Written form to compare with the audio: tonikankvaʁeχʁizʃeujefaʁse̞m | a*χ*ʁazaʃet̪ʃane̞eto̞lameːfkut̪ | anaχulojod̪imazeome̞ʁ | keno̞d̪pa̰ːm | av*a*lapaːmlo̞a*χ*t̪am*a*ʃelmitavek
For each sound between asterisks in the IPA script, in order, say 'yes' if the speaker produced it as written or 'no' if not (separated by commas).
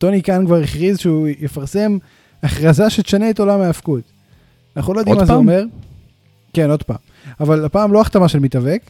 yes, yes, yes, yes